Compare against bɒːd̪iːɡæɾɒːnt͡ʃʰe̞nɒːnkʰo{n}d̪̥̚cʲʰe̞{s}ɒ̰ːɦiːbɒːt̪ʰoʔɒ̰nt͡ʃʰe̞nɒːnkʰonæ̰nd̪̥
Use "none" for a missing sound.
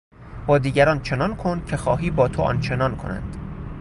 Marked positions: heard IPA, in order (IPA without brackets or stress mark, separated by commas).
n, x